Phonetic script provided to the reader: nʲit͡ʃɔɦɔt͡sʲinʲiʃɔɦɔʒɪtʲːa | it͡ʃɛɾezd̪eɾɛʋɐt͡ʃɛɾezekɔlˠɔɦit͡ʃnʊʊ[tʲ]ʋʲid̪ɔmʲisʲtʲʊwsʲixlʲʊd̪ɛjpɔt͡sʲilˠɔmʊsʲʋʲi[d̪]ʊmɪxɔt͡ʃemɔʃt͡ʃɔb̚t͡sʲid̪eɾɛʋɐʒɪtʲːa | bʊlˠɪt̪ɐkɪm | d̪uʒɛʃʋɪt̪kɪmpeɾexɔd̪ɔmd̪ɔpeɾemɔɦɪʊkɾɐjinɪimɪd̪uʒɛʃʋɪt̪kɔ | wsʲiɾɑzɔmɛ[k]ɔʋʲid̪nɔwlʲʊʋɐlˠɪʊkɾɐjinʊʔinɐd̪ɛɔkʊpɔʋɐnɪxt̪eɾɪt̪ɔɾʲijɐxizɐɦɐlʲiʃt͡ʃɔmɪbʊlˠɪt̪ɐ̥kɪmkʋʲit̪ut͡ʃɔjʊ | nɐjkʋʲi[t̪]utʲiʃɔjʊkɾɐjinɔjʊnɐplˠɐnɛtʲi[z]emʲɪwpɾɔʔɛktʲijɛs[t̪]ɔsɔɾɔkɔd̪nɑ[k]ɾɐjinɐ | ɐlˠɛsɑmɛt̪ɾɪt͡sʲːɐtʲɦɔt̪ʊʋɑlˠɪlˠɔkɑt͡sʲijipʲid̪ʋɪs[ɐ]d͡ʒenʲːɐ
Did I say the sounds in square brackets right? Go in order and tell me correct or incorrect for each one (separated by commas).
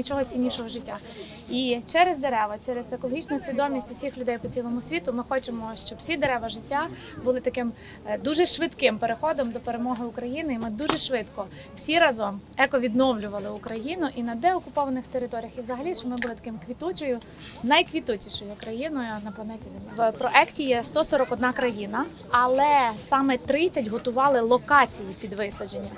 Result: incorrect, incorrect, correct, correct, correct, correct, correct, correct